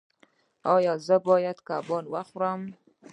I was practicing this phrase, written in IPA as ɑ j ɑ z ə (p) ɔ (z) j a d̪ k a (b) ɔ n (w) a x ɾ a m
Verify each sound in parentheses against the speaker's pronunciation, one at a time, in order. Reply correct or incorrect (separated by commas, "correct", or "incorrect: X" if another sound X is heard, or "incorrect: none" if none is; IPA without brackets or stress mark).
incorrect: b, incorrect: none, correct, correct